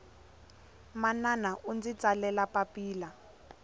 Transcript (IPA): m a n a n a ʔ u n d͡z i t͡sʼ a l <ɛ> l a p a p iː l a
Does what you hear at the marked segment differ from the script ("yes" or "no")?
no